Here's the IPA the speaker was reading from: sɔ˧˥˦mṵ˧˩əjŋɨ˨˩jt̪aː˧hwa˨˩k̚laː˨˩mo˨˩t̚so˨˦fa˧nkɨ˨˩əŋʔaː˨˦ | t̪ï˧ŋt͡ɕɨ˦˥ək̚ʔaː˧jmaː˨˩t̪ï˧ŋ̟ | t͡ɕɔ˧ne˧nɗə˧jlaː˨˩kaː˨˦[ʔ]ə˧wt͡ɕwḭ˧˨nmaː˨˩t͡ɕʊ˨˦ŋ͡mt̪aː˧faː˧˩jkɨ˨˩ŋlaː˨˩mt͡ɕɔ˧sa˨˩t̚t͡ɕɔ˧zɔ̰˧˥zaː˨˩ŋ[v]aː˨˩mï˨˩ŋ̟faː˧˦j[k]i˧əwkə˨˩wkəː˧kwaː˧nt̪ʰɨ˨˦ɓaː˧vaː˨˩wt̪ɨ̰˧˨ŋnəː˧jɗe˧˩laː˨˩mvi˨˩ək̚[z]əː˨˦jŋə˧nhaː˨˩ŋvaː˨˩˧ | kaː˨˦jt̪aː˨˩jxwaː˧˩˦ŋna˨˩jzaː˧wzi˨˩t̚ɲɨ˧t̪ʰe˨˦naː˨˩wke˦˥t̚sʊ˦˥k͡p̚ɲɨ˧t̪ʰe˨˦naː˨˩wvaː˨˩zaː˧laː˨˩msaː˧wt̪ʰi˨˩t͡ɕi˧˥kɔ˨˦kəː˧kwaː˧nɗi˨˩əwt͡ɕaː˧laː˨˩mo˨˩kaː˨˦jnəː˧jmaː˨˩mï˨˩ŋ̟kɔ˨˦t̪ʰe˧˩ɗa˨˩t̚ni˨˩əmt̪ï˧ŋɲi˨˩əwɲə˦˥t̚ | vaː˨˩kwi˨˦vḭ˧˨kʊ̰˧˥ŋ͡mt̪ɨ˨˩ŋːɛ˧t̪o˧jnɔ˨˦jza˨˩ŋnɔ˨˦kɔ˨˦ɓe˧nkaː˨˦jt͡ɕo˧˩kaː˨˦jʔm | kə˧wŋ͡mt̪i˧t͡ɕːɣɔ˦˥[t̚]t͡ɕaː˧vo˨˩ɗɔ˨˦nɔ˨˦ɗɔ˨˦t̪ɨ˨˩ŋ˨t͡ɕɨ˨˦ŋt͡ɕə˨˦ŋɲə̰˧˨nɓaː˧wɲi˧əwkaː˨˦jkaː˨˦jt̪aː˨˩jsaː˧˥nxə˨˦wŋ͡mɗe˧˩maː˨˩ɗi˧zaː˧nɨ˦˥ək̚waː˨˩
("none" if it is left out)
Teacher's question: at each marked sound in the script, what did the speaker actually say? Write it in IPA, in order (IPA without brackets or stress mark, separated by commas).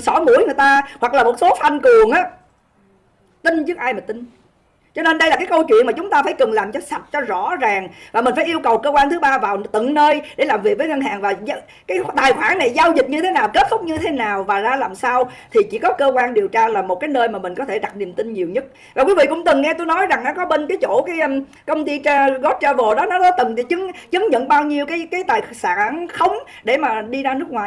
k, v, ʔ, v, t̚